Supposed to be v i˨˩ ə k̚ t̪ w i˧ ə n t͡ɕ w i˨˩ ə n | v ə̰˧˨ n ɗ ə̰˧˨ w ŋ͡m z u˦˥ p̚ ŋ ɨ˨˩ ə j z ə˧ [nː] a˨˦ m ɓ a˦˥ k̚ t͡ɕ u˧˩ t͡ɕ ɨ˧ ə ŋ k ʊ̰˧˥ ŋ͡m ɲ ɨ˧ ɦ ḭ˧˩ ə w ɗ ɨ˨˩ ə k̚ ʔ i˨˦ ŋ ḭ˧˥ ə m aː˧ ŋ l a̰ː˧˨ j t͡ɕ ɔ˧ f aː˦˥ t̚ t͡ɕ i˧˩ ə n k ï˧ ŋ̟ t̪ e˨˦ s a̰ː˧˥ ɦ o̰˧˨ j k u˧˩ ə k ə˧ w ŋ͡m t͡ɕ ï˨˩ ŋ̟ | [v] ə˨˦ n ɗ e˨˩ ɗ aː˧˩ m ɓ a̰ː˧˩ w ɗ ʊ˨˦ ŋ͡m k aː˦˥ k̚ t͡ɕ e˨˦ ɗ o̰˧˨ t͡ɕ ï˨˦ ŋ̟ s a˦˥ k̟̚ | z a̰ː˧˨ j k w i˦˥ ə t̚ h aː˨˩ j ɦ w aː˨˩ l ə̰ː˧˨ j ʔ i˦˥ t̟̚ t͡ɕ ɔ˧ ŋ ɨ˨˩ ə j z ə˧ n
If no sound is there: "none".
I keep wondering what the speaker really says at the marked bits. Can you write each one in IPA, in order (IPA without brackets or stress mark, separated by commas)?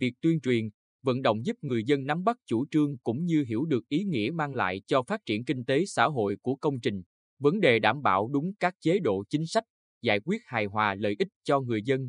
nː, v